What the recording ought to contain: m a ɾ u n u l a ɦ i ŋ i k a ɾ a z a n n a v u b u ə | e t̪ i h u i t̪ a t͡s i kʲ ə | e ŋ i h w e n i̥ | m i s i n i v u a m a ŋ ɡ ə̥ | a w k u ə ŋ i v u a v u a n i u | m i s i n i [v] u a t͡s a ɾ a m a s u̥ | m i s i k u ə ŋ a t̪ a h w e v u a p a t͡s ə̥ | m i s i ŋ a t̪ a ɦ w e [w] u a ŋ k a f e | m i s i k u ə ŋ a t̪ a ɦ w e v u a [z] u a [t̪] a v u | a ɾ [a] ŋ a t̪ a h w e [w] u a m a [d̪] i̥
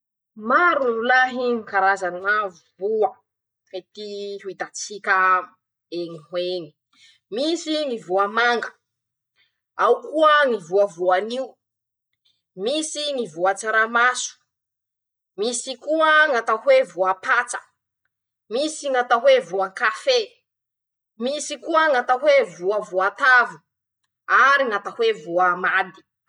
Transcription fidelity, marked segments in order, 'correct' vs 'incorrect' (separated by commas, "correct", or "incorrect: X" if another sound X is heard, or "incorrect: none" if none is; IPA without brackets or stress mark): correct, incorrect: v, incorrect: v, correct, incorrect: i, incorrect: v, correct